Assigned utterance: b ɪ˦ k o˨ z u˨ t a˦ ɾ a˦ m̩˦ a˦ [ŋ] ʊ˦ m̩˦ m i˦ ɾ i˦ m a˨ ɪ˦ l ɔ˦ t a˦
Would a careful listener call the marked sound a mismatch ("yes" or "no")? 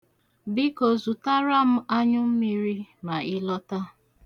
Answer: yes